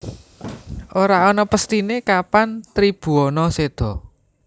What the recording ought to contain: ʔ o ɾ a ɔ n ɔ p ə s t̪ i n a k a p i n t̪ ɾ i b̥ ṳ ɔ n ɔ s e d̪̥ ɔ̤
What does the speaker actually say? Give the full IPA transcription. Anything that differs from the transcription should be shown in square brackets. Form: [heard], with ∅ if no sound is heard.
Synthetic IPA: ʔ o ɾ a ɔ n ɔ p ə s t̪ i n [e] k a p [a] n t̪ ɾ i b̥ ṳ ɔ n ɔ s e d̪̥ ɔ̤